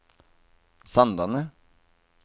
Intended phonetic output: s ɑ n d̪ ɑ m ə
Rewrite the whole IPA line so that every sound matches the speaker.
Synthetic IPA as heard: s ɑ n d̪ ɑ n ə